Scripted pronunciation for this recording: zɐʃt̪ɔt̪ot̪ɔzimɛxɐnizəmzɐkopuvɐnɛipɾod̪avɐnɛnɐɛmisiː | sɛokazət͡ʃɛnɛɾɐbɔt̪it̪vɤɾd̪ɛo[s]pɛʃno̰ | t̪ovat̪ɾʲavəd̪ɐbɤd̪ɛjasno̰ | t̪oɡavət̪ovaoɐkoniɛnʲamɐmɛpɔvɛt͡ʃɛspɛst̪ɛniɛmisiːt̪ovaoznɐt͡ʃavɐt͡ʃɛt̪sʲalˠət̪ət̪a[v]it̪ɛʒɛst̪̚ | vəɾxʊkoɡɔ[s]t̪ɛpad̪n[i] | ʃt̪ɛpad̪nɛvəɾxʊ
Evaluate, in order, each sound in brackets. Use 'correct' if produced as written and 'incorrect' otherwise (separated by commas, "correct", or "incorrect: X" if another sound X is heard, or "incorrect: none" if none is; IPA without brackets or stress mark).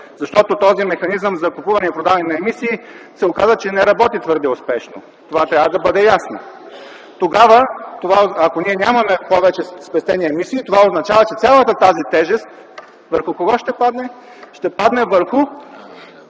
correct, incorrect: z, incorrect: ʃ, incorrect: ɛ